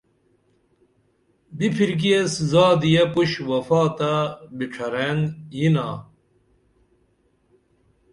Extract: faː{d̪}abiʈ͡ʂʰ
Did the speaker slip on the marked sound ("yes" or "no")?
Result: yes